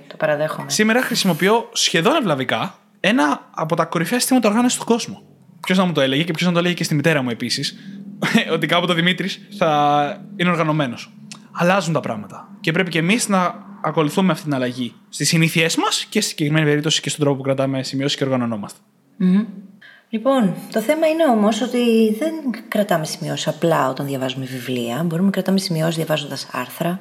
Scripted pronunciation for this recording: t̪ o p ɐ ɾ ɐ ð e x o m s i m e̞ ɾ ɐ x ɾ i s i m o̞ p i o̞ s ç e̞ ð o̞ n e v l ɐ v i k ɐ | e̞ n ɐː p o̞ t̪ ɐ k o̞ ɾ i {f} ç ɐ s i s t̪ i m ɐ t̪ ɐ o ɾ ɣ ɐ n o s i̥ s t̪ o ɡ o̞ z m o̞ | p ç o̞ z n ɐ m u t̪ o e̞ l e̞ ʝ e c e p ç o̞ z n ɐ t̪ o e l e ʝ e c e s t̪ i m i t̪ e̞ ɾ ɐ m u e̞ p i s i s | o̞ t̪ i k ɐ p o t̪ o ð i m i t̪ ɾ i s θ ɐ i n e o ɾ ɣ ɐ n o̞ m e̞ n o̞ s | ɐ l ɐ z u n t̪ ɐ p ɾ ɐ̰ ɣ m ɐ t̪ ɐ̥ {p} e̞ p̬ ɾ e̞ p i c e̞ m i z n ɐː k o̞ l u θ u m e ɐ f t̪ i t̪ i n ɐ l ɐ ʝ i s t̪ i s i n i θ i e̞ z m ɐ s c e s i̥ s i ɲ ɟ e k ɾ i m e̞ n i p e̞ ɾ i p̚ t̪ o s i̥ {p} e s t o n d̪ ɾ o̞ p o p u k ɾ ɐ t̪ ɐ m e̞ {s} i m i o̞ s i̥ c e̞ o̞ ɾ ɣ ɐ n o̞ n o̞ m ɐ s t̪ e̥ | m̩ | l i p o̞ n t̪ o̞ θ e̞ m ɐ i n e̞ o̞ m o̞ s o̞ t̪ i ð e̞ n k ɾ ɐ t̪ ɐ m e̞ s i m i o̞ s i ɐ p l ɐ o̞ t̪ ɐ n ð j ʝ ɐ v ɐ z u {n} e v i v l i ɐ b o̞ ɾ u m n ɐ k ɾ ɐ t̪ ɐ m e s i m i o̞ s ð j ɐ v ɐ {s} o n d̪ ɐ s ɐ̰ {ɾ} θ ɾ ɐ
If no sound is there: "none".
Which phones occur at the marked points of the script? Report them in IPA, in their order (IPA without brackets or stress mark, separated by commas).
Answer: f, c, c, s, m, z, ɾ